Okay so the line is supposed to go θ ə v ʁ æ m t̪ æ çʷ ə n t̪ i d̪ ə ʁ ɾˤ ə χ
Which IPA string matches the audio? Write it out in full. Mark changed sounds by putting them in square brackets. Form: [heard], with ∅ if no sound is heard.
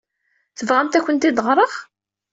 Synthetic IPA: θ ə v ʁ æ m t̪ æ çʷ ə n t̪ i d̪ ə ʁ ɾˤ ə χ